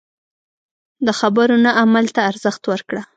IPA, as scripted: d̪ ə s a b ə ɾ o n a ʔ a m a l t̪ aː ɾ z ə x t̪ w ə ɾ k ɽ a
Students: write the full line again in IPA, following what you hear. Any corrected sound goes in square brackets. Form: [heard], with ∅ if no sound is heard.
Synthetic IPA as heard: d̪ ə [x] a b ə ɾ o n a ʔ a m a l t̪ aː ɾ z ə x t̪ w ə ɾ k ɽ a